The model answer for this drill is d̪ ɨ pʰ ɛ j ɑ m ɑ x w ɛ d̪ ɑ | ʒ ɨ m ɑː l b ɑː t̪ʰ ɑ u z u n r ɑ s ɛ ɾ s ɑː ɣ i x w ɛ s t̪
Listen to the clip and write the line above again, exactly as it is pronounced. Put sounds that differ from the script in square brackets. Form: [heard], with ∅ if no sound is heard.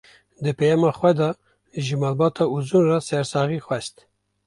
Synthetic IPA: d̪ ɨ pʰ ɛ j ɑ m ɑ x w ɛ d̪ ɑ | ʒ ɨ m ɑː l b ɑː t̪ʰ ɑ u z u n r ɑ s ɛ ɾ s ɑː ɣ i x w ɛ s t̪